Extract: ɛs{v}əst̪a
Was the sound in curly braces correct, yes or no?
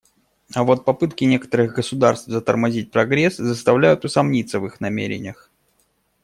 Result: no